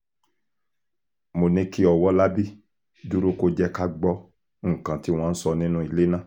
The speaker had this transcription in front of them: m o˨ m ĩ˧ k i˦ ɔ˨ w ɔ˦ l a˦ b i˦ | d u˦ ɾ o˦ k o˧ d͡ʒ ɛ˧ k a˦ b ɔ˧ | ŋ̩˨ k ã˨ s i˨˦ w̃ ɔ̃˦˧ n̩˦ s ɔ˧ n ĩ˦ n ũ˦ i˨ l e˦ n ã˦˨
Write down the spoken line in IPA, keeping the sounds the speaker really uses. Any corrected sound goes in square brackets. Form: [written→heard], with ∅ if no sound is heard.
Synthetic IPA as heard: m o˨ [m→n] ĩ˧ k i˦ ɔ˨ w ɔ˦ l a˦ b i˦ | d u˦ ɾ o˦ k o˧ d͡ʒ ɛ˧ k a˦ [b→ɡ͡b] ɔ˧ | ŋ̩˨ k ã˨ [s→t] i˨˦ w̃ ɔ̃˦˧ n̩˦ s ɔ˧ n ĩ˦ n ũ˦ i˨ l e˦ n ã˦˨